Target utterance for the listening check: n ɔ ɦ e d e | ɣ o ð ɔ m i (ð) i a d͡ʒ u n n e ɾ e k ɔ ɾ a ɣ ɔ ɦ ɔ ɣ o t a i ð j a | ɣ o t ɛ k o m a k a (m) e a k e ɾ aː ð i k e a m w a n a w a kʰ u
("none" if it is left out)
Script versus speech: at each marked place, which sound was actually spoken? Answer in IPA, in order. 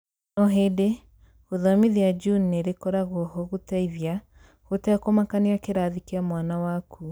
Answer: ð, n

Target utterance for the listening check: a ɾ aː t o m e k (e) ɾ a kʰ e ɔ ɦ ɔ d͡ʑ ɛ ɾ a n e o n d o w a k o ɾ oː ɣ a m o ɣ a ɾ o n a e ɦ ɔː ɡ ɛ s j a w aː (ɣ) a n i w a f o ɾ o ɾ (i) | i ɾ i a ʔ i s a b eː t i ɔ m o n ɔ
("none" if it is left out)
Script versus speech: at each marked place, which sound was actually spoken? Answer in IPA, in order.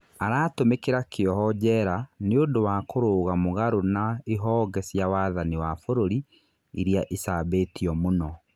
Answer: e, ð, i

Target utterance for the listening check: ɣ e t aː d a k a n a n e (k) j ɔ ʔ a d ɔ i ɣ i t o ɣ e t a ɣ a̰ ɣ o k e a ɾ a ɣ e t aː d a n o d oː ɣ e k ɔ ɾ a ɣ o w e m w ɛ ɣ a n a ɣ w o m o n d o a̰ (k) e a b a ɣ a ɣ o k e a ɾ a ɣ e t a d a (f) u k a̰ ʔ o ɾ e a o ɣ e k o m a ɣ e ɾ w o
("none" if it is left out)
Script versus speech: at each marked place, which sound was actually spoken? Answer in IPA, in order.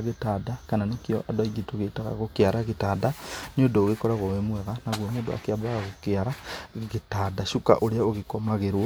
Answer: k, k, ʃ

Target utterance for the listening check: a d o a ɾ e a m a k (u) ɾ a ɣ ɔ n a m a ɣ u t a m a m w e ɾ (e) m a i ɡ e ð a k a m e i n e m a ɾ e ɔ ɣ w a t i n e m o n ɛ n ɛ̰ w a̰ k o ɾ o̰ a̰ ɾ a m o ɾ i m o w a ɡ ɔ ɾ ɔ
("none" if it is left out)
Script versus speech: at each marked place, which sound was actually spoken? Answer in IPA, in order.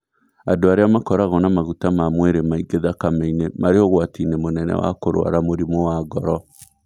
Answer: ɔ, e

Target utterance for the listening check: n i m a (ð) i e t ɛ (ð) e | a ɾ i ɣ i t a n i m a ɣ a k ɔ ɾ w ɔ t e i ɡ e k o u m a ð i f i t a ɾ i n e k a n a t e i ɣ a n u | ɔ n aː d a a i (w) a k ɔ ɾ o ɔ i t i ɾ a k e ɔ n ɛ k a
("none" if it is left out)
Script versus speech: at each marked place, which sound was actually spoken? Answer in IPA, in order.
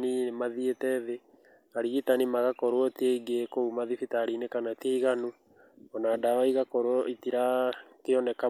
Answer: ð, ð, ɣ

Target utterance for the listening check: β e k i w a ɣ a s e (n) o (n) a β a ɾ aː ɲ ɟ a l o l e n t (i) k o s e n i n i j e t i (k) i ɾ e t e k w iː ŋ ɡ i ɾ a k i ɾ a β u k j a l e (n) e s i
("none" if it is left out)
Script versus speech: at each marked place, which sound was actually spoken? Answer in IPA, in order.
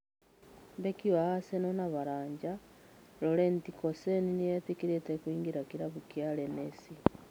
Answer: n, n, i, k, n

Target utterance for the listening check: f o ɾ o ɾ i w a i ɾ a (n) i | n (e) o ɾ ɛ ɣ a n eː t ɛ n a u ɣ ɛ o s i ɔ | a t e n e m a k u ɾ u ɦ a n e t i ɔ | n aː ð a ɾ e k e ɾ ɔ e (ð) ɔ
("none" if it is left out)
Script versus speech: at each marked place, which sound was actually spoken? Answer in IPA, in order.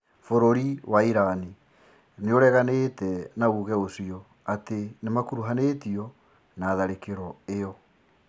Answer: n, e, none

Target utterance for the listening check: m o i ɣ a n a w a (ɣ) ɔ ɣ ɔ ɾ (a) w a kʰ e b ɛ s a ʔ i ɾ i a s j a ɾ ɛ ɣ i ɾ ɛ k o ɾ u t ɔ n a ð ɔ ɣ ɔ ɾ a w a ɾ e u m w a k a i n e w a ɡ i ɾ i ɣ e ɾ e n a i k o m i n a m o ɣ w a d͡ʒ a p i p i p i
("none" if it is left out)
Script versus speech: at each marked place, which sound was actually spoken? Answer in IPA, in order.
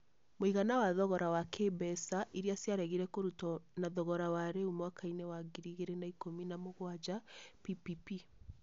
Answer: ð, a

